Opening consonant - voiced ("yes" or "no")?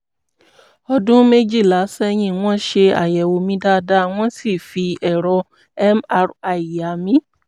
yes